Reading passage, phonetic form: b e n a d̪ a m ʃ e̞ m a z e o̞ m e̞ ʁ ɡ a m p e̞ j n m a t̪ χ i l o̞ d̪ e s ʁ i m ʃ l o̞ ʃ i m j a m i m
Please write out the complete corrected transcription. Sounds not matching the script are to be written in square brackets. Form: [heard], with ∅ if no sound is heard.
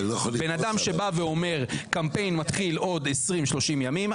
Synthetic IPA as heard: b e n a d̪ a m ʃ e̞ [b] a [v] e o̞ m e̞ ʁ [k] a m p e̞ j n m a t̪ χ i l o̞ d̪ e s ʁ i m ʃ l o̞ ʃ i m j a m i m